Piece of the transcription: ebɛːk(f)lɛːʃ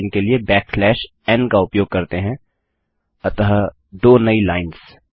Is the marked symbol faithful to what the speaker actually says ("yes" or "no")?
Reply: yes